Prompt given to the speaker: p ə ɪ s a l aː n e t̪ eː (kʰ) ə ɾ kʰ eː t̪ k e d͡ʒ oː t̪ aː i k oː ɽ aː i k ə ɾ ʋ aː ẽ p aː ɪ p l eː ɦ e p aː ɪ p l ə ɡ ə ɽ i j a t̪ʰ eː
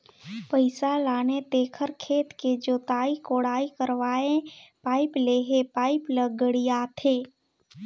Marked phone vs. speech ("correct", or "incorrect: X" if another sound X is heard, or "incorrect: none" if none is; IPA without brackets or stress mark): correct